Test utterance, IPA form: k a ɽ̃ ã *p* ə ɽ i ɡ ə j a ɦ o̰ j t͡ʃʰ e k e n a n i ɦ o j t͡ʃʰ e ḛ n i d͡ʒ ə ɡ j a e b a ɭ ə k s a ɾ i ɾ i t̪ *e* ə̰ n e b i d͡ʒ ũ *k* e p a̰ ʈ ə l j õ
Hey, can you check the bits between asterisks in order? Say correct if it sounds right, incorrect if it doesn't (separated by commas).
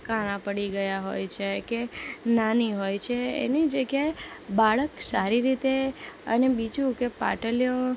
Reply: correct, correct, correct